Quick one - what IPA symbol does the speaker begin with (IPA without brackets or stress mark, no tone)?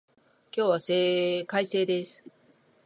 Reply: kʲ